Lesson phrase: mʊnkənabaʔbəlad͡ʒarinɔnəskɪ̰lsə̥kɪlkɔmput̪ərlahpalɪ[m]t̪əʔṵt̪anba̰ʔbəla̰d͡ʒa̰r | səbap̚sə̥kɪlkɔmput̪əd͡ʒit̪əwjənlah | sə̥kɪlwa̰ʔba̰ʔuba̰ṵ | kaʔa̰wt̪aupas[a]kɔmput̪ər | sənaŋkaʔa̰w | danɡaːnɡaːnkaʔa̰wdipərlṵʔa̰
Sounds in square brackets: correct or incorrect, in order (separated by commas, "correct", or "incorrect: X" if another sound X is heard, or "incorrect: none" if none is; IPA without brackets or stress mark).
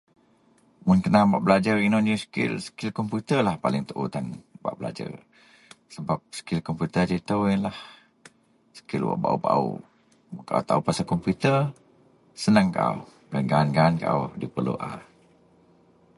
incorrect: ŋ, correct